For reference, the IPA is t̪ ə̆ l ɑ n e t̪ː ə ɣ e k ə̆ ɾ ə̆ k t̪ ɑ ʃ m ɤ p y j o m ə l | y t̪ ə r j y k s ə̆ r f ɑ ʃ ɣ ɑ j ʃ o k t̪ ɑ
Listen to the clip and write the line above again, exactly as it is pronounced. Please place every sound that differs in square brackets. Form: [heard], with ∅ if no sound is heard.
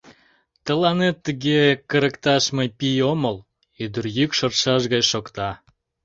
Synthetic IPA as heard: t̪ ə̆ l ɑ n e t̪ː ə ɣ e k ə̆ ɾ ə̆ k t̪ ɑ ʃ m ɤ p [i] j o m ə l | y [d̪] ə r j y k [ʃ] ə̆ r [ʃ] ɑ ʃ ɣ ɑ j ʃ o k t̪ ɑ